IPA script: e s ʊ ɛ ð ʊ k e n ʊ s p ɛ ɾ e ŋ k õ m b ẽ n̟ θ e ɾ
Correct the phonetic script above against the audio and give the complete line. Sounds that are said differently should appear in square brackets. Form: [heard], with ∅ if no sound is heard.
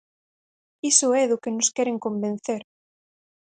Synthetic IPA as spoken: [i] s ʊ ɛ ð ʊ k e n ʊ s [k] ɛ ɾ e ŋ k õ m b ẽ n̟ θ e ɾ